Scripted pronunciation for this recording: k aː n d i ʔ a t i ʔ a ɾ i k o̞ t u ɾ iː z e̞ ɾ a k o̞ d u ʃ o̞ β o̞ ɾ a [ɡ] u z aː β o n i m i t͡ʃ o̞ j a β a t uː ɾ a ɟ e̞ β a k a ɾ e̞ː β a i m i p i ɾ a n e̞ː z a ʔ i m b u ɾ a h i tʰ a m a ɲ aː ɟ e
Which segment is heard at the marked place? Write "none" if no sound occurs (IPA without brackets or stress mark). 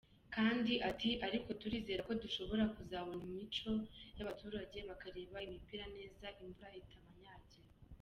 k